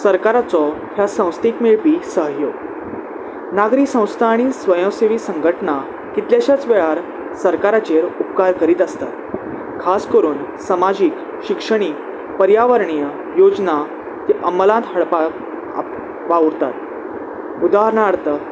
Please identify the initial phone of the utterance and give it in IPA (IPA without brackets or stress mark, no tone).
s